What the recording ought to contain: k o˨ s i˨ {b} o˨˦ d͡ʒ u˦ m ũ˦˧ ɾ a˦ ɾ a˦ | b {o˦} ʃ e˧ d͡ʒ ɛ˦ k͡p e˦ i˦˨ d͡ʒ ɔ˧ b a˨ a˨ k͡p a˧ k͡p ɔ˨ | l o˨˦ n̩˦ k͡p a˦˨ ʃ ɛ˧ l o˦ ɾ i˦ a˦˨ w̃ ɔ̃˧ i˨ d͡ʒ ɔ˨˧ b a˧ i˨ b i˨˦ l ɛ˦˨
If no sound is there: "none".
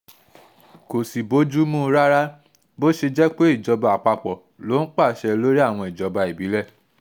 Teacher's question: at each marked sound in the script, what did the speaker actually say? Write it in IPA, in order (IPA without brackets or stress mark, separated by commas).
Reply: b, o˦